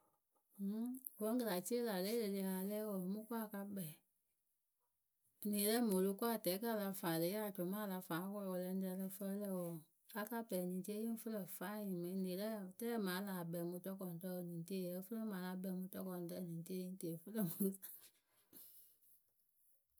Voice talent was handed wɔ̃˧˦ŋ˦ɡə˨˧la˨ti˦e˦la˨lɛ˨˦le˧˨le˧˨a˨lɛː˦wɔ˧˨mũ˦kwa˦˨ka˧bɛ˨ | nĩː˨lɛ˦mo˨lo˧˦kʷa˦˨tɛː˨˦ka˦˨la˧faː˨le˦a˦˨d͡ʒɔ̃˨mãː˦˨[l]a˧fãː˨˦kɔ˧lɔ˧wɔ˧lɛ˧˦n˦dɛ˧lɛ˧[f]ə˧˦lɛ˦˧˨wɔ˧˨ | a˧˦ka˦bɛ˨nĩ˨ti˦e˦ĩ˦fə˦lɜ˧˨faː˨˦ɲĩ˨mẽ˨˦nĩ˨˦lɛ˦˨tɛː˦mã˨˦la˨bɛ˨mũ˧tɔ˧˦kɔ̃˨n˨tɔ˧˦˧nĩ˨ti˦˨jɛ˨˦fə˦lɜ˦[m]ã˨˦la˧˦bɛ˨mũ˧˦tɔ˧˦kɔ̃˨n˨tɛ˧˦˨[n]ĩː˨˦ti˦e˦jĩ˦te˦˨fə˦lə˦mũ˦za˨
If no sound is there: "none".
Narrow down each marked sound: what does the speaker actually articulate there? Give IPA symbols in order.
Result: l, f, m, n

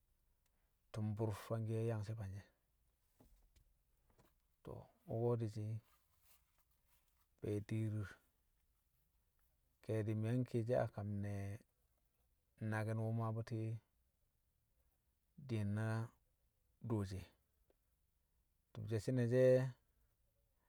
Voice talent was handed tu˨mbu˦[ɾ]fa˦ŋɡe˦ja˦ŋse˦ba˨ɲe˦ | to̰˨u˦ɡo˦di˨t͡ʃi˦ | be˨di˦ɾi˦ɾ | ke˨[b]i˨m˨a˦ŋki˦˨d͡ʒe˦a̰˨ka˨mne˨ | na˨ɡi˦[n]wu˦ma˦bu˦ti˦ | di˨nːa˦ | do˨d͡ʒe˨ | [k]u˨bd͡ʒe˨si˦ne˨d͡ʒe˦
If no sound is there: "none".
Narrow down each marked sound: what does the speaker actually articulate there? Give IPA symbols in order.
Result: ɾ, d, n, t

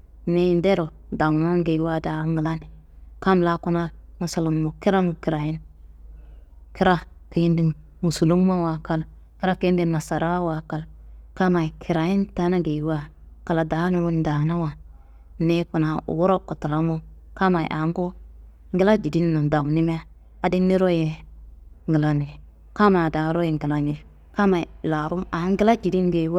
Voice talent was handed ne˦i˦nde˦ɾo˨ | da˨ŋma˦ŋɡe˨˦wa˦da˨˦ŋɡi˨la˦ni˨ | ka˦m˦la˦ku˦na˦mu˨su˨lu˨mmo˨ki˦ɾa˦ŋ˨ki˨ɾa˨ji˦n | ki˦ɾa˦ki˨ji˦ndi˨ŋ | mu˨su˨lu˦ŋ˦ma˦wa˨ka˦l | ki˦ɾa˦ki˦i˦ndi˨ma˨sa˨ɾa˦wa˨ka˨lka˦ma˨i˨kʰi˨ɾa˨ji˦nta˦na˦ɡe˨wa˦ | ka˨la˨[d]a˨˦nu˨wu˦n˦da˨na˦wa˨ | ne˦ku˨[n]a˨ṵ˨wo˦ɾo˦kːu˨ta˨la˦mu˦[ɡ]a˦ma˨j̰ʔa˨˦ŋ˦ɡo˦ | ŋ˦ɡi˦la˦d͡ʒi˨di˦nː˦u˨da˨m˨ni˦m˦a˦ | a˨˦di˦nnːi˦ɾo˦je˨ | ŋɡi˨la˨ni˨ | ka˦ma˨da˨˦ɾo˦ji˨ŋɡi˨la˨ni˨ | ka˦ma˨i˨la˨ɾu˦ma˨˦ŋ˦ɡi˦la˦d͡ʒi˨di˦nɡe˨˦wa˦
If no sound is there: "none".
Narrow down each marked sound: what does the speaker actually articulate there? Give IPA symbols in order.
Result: d, n, k

